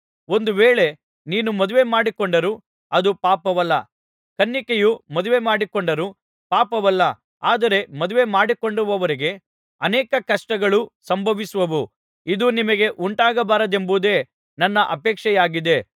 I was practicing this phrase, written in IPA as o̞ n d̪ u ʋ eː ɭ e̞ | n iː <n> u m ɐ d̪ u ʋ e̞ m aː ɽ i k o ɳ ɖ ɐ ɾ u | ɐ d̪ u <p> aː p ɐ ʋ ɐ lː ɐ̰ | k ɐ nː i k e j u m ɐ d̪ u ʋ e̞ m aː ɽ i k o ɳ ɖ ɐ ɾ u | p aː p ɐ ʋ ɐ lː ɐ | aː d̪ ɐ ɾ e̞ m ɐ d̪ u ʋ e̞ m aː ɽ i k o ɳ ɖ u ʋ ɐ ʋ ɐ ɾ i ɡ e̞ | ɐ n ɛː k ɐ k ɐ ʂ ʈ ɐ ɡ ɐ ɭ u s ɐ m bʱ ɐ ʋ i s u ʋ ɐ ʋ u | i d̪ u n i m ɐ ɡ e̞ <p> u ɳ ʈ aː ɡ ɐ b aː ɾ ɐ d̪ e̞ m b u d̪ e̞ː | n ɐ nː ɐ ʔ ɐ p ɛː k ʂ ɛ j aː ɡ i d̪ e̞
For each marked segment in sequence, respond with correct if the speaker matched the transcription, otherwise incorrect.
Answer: correct, correct, incorrect: ʔ

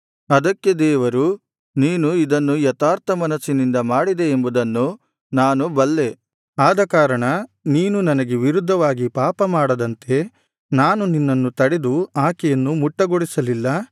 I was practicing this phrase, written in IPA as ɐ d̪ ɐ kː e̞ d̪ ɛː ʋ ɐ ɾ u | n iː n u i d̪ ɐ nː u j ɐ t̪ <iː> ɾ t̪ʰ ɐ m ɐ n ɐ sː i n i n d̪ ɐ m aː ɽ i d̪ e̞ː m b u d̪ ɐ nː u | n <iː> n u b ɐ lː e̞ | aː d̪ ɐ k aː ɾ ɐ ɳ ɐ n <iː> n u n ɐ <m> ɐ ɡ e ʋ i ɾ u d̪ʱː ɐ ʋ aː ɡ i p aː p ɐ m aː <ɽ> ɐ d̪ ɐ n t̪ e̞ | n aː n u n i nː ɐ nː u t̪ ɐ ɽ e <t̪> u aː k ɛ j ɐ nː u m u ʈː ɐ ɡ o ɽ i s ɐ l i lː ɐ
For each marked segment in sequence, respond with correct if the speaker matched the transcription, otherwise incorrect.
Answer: incorrect: aː, incorrect: aː, correct, incorrect: n, correct, incorrect: d̪

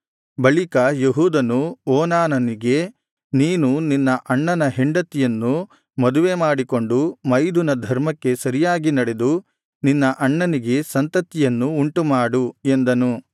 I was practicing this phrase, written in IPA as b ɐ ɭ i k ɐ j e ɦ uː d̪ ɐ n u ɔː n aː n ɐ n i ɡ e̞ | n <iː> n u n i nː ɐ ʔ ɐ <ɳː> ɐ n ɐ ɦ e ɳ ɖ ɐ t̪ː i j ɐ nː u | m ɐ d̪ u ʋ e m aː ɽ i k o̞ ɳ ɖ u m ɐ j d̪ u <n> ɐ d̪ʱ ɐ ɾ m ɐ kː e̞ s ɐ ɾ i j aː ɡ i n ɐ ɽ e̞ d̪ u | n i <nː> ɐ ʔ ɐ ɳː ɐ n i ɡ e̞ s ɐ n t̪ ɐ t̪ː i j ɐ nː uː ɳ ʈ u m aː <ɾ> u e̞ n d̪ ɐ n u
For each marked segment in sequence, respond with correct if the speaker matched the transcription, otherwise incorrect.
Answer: correct, correct, correct, correct, incorrect: ɽ

